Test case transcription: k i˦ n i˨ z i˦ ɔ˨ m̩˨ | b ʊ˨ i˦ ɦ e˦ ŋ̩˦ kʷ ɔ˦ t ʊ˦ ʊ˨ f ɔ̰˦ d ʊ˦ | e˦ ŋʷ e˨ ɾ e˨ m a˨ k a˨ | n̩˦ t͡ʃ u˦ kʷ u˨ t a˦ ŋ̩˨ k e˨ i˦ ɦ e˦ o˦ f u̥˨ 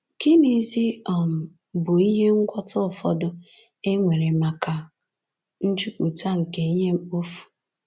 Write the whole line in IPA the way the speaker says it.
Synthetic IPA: k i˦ n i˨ z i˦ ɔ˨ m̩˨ | b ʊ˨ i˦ ɦ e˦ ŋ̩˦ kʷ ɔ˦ t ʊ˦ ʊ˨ f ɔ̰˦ d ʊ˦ | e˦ ŋʷ e˨ ɾ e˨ m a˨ k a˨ | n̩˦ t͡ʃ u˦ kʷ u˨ t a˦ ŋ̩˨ k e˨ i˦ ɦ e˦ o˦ f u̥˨